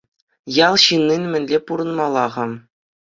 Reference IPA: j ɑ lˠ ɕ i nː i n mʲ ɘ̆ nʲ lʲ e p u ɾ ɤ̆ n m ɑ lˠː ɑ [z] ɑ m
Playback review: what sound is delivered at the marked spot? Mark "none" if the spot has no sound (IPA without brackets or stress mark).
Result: ʁ